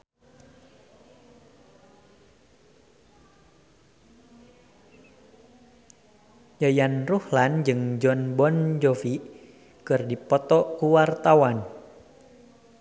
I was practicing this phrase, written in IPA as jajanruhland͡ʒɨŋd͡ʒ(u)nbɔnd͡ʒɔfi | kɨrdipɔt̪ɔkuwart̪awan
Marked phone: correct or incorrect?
incorrect